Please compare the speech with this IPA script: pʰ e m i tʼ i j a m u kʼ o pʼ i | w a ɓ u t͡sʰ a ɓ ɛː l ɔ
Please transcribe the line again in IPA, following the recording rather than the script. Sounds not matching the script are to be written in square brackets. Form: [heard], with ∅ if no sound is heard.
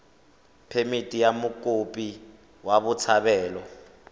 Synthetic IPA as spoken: pʰ e m i tʼ i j a m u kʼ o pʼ i | w a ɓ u t͡sʰ a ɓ ɛː l ɔ